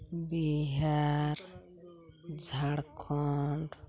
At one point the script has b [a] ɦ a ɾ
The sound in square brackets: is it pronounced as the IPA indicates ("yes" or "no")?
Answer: no